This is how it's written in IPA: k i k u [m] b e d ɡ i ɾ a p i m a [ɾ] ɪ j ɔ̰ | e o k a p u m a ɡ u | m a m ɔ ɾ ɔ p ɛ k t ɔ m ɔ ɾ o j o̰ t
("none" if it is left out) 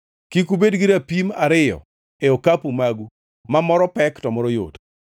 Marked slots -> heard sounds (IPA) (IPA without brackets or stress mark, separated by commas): none, ɾ